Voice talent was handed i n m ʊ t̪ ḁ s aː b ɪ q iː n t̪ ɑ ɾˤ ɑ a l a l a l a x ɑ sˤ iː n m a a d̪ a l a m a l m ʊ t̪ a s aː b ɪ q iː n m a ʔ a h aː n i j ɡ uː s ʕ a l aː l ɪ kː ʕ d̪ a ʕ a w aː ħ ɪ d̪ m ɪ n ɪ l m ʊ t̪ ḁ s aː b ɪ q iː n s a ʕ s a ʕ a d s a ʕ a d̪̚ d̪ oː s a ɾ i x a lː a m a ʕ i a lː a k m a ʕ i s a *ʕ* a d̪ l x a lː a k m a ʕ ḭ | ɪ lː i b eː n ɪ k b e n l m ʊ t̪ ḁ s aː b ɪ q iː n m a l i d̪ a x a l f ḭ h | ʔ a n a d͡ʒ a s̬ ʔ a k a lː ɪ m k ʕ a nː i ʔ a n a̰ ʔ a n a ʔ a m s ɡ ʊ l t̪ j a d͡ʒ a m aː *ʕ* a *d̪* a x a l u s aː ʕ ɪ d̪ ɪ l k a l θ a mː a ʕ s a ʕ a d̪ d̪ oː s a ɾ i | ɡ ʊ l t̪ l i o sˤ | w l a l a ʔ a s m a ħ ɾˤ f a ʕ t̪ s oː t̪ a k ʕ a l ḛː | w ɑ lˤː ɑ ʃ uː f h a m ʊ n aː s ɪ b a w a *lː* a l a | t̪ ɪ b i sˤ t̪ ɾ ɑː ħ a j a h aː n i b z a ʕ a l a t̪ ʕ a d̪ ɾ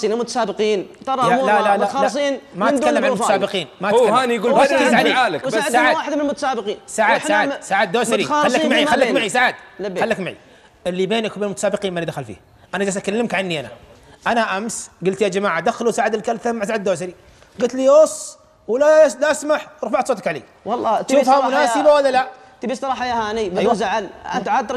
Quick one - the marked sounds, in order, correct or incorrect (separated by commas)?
correct, correct, correct, correct